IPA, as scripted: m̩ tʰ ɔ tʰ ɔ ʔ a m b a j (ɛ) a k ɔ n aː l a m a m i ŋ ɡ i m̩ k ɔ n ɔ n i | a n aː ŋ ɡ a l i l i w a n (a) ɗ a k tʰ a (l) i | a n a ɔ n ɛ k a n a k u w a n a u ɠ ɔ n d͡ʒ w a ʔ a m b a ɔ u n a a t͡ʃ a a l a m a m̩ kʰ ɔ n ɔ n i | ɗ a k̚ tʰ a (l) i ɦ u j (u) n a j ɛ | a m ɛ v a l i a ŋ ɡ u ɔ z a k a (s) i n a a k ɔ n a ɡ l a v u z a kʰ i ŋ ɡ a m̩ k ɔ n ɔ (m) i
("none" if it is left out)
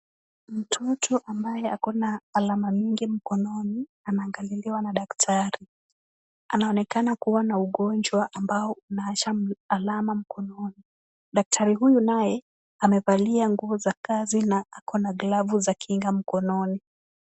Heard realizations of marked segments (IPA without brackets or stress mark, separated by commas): ɛ, a, ɾ, ɾ, u, z, n